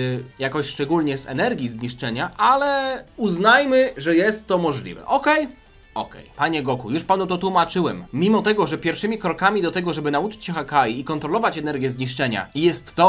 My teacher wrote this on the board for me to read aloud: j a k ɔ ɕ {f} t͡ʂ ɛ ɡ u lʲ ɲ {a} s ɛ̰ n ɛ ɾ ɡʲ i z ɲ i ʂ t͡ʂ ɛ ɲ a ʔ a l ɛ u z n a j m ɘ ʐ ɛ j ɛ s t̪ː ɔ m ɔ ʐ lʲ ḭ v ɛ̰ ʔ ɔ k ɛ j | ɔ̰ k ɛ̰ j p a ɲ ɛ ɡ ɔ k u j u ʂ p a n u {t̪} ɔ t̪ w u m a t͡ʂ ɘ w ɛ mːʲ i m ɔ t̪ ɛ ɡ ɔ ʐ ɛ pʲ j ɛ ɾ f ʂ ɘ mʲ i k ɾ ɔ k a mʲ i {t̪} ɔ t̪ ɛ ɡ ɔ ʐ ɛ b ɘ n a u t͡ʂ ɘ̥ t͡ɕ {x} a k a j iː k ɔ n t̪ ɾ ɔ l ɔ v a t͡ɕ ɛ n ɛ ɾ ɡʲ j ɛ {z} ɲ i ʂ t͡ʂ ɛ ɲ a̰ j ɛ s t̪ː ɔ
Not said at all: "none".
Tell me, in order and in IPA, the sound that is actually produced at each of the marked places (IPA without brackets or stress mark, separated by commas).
ʂ, ɛ, t̪, d̪, x, z